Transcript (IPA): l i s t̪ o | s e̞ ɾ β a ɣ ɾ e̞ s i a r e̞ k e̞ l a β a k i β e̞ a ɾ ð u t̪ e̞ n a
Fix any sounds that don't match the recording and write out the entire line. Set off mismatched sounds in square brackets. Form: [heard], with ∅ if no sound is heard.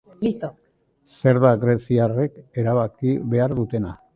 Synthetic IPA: l i s t̪ o | s e̞ ɾ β a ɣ ɾ e̞ s i a r e̞ k e̞ [ɾ] a β a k i β e̞ a ɾ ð u t̪ e̞ n a